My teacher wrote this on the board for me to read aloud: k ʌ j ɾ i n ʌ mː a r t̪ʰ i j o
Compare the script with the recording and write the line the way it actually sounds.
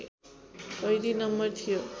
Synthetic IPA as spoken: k ʌ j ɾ i n ʌ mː ʌ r t̪ʰ i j o